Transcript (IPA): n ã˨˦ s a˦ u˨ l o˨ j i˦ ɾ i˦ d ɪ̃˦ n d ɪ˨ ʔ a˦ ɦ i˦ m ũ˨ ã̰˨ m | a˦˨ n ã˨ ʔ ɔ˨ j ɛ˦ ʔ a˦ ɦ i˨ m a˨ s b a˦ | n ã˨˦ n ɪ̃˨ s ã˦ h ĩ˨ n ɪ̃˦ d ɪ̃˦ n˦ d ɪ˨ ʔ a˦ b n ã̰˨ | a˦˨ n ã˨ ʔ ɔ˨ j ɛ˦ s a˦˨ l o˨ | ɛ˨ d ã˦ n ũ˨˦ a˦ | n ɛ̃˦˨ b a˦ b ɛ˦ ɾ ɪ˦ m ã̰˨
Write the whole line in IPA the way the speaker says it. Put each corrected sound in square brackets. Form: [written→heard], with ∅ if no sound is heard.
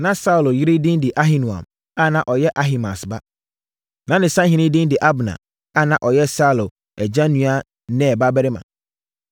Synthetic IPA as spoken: n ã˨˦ s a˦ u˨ l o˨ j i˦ ɾ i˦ d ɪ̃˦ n d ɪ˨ ʔ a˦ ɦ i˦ [m→n] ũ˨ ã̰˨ m | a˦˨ n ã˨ ʔ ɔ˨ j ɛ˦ ʔ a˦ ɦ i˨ m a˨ s b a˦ | n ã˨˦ n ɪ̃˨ s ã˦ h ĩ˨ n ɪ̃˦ d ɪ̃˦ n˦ d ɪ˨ ʔ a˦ b n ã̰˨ | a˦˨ n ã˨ ʔ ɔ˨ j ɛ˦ s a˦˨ l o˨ | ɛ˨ [d→d͡ʑ] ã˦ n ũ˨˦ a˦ | n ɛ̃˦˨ b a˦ b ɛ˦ ɾ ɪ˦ m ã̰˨

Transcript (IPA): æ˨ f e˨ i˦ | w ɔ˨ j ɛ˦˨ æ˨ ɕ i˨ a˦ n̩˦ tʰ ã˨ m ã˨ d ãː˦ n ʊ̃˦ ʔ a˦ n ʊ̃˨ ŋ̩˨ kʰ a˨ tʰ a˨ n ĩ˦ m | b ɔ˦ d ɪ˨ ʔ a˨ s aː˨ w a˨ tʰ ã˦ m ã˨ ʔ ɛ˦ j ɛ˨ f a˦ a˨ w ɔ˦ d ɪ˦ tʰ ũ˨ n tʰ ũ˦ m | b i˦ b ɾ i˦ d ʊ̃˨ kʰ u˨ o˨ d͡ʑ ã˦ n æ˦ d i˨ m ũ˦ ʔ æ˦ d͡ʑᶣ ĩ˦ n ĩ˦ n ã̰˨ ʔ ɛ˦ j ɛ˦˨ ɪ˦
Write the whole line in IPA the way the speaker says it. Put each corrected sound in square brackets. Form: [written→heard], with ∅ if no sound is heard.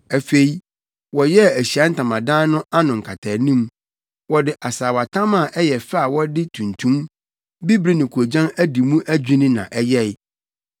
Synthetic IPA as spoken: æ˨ f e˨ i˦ | w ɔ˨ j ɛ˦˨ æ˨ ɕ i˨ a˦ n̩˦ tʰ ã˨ m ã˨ d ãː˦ n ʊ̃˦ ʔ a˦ n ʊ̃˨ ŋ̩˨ kʰ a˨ tʰ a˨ n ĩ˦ m | [b→w] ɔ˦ d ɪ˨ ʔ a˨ s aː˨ w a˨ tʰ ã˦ m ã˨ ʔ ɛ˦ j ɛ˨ f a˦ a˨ w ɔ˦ d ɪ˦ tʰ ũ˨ n tʰ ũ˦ m | b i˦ b ɾ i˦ [d→n] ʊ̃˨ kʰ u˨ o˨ d͡ʑ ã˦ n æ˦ d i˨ m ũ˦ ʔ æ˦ d͡ʑᶣ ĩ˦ n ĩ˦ n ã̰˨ ʔ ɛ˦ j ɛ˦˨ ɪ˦

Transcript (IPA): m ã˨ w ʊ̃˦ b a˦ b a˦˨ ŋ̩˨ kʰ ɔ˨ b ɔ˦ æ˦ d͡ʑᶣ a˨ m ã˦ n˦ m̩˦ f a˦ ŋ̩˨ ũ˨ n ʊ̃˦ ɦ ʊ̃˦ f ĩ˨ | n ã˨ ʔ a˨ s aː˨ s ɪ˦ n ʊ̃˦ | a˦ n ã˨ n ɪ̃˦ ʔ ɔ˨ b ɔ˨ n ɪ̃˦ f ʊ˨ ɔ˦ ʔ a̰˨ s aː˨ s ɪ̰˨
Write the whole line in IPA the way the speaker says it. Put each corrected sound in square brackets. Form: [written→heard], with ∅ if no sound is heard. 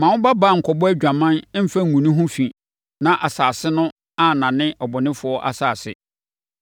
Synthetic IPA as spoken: m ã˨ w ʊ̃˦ b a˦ b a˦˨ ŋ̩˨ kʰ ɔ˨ b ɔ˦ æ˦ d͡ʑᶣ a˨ m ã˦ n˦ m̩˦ f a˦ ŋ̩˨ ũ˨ n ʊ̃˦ ɦ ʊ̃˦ f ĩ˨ | n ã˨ ʔ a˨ s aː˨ s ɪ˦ n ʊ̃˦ | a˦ n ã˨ n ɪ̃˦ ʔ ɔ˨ b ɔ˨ n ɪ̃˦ f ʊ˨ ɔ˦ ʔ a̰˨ s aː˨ s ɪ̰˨

